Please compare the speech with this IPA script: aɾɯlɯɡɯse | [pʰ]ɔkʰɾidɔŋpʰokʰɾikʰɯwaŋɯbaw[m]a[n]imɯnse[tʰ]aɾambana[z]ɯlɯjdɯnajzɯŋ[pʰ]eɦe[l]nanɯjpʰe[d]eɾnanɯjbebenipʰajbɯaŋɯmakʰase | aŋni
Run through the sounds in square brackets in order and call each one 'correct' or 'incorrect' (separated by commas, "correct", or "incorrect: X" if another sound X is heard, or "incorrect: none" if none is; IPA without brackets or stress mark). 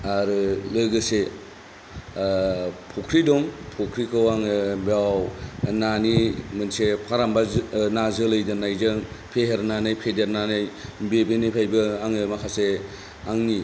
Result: correct, incorrect: n, correct, incorrect: pʰ, correct, correct, incorrect: ɾ, correct